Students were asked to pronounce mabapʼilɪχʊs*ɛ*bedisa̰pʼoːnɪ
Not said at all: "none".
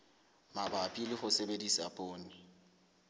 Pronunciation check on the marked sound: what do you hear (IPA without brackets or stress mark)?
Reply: e